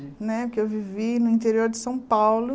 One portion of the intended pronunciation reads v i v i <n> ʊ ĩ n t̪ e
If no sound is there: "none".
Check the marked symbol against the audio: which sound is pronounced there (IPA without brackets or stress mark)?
n